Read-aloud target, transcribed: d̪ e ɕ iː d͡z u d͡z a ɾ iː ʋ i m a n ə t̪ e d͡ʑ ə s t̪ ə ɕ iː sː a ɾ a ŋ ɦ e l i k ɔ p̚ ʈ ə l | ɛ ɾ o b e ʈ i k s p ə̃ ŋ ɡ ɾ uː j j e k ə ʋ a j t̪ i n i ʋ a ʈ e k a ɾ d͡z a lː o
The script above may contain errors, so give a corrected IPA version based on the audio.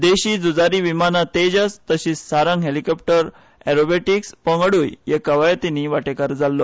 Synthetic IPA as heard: d̪ e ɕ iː d͡z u d͡z a ɾ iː ʋ i m a n a t̪ e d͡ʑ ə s t̪ ə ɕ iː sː a ɾ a ŋ ɦ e l i k ɔ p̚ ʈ ə ɾ | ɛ ɾ o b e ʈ i k s p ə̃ ŋ ɡ ɽ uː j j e k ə ʋ a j t̪ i n i ʋ a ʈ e k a ɾ d͡z a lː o